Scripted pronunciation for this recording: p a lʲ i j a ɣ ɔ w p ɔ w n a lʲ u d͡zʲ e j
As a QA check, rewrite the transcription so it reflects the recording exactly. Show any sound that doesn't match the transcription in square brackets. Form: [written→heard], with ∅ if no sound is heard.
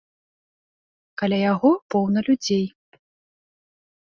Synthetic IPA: [p→k] a lʲ [i→a] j a ɣ ɔ [w→∅] p ɔ w n [a→ɐ] lʲ u d͡zʲ e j